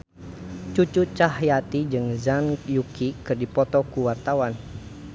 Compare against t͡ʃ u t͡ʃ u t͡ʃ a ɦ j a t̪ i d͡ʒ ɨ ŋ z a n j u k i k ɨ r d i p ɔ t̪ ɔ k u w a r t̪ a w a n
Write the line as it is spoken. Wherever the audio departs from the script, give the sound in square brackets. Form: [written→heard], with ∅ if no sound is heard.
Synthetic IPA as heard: t͡ʃ u t͡ʃ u t͡ʃ a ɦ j a t̪ i d͡ʒ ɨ ŋ z a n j u k i k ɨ r d i p ɔ t̪ ɔ k u w a r t̪ a w a n